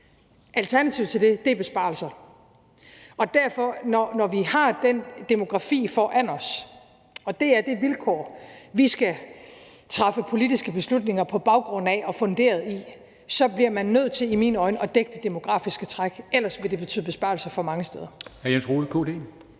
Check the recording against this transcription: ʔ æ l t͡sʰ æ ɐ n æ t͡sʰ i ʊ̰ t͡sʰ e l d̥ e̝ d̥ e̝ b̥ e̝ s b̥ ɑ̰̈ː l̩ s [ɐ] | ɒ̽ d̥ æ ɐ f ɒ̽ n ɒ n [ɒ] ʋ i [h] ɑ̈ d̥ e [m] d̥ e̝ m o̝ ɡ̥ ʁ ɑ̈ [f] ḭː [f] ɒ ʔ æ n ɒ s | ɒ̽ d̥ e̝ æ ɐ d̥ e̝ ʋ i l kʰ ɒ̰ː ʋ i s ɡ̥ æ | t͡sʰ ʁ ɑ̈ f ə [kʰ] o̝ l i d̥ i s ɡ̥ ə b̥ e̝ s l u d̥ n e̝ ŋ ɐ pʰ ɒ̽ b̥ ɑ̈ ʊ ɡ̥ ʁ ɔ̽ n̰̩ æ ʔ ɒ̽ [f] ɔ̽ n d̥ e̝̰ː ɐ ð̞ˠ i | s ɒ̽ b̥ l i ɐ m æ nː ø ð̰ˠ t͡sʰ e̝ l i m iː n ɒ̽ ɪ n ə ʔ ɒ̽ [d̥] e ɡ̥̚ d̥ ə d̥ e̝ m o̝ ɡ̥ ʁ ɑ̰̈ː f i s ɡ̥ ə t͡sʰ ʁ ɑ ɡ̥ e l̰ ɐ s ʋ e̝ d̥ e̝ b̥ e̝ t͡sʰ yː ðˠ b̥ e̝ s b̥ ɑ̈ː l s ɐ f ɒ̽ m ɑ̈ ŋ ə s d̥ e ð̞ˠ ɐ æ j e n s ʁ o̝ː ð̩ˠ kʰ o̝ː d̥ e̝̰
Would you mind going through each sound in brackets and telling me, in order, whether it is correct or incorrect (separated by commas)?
correct, correct, correct, incorrect, correct, correct, incorrect, correct, correct